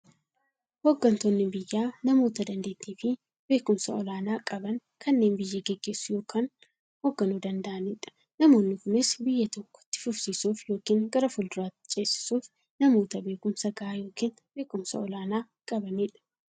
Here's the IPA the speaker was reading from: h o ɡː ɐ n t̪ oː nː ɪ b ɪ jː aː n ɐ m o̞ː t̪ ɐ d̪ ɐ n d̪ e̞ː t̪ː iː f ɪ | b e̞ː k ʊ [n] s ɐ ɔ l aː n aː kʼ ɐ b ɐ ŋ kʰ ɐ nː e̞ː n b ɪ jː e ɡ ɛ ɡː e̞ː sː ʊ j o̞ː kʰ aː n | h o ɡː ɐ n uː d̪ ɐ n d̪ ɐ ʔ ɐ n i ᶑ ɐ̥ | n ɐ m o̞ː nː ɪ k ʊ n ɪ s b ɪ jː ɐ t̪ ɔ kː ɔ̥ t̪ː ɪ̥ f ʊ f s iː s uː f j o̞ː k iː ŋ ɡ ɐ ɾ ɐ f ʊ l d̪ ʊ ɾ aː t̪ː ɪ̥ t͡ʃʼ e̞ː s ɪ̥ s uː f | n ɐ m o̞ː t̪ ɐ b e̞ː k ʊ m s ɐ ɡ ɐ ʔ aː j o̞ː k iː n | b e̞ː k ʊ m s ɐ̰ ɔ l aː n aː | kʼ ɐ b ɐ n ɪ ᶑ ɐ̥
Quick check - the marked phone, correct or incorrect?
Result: incorrect: m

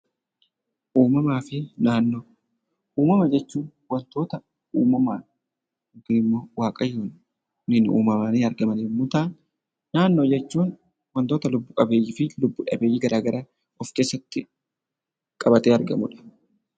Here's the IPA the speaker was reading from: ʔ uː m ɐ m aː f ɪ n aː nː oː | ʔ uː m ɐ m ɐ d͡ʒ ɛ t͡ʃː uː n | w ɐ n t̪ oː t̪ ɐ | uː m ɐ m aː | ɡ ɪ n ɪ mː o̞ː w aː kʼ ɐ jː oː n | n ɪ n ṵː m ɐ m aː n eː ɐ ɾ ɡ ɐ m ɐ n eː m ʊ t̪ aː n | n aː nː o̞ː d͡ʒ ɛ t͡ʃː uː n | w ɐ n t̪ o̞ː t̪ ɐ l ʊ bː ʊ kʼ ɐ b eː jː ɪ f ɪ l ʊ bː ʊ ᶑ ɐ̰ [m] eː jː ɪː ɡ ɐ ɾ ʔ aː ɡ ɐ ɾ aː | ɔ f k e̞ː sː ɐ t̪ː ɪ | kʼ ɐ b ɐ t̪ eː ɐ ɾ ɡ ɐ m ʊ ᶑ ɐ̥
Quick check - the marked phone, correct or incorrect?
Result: incorrect: b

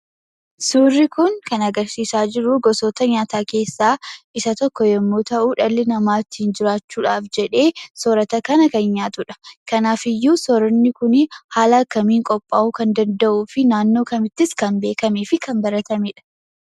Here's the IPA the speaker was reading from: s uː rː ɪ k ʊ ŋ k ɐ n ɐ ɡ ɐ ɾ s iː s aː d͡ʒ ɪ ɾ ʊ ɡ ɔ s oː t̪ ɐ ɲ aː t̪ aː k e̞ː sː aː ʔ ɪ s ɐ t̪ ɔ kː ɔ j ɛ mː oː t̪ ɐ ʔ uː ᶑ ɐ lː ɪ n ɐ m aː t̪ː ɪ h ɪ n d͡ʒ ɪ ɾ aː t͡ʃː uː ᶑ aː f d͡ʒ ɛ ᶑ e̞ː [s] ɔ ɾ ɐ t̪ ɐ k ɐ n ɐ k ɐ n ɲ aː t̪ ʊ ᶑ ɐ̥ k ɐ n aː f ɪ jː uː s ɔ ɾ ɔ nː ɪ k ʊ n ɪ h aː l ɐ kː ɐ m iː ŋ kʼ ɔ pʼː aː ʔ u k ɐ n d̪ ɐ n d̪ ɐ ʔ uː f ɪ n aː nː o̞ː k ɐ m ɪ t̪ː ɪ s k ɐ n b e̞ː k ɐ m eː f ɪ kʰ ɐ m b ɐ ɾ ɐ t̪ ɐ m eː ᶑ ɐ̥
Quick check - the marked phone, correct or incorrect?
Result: correct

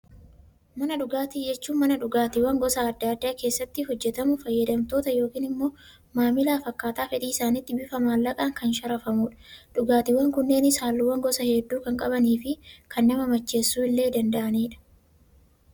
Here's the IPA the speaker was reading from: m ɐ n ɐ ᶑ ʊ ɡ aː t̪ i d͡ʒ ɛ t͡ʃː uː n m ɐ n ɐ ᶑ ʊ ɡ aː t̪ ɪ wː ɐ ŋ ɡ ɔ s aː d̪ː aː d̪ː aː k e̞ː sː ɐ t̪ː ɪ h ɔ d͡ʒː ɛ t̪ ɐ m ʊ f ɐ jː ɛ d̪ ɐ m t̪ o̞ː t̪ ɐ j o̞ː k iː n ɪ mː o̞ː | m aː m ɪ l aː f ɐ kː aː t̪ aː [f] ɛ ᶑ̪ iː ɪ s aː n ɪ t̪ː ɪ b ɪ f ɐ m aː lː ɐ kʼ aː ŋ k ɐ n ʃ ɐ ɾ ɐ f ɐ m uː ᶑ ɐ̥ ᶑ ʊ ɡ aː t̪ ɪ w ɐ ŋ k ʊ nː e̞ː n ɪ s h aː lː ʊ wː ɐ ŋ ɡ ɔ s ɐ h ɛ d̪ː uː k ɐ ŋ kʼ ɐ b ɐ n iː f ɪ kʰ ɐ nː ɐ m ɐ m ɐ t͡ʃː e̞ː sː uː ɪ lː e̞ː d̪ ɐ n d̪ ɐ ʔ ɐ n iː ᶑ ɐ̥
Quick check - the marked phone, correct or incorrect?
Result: correct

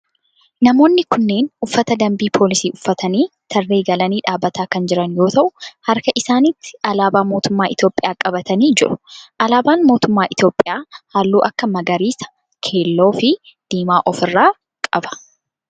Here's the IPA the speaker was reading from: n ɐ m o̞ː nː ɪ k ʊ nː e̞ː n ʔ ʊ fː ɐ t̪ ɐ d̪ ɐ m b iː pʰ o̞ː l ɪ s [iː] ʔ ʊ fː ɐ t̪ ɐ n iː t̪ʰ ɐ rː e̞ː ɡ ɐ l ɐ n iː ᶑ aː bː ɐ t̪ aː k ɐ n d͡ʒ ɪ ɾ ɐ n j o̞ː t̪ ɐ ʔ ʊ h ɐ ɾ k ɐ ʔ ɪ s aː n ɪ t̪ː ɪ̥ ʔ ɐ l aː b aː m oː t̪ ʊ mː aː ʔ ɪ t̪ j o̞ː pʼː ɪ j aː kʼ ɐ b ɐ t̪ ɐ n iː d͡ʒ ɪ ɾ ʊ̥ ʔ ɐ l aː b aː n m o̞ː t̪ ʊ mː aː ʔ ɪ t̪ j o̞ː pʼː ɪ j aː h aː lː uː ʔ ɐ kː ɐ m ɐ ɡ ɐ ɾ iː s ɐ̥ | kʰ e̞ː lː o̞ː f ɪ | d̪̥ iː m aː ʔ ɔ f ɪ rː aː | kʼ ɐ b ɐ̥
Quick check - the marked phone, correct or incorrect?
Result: correct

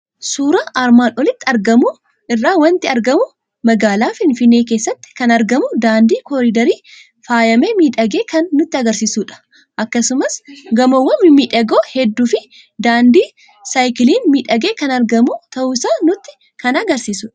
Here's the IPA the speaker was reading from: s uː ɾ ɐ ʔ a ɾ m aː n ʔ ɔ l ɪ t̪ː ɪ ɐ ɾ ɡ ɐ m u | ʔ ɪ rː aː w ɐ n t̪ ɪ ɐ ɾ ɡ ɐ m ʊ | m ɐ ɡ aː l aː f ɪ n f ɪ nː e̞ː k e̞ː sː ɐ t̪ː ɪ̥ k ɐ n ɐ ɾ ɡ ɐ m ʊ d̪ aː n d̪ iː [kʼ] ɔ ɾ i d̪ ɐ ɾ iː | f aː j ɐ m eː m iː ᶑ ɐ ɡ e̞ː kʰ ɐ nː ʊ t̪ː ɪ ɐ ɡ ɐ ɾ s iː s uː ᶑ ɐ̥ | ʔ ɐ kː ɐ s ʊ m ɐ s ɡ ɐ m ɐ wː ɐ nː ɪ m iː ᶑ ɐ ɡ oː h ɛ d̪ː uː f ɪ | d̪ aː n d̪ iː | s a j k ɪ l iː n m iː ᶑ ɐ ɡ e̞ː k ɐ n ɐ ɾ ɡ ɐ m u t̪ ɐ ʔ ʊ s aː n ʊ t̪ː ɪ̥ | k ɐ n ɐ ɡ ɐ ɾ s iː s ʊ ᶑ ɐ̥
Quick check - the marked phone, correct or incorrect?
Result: incorrect: k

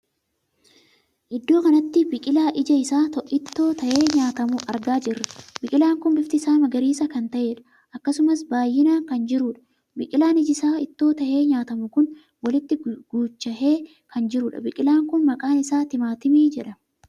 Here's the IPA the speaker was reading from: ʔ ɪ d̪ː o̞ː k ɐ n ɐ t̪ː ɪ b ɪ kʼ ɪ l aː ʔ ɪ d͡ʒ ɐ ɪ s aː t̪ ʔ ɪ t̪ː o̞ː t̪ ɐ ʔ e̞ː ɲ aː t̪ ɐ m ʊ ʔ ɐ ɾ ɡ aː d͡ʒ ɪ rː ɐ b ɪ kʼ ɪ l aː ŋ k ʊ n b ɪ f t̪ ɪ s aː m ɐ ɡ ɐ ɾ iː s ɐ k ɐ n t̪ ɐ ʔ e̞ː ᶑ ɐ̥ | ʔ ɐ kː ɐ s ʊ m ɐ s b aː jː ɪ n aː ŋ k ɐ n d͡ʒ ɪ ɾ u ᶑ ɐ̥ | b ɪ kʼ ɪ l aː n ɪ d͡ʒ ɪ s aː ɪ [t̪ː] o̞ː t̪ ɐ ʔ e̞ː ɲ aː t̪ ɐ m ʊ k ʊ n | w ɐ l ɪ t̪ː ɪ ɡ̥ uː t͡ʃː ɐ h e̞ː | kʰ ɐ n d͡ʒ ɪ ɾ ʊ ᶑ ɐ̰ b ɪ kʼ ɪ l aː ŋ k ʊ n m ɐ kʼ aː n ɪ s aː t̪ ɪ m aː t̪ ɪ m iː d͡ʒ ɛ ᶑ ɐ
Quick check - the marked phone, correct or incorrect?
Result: correct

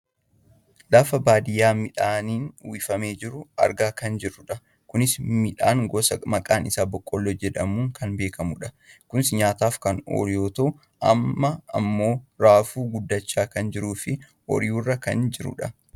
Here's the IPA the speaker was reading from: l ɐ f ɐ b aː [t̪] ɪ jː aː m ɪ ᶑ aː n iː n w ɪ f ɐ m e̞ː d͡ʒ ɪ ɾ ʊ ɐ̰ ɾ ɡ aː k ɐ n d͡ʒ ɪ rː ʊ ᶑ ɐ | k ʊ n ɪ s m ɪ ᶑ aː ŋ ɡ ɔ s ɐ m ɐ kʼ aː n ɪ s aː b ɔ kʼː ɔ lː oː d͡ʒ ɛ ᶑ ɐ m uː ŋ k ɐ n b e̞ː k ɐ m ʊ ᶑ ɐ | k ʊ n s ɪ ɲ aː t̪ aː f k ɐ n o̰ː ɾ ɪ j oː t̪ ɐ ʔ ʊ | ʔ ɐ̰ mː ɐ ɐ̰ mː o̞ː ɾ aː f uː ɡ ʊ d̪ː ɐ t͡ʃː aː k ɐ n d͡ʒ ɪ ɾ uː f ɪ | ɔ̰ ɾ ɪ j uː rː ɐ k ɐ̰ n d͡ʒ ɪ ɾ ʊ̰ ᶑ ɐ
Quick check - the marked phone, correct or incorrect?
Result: incorrect: d̪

